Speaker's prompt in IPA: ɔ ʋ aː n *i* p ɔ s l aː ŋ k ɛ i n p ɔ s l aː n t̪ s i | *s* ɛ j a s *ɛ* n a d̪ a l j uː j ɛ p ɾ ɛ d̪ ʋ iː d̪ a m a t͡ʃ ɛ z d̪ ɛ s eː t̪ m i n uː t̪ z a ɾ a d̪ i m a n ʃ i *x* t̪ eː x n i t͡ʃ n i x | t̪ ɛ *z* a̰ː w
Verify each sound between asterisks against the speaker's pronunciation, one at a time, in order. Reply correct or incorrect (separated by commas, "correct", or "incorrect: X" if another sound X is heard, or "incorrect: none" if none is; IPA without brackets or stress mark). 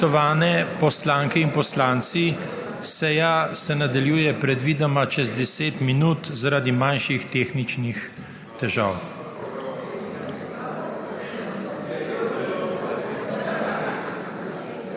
incorrect: ɛ, correct, correct, correct, incorrect: ʒ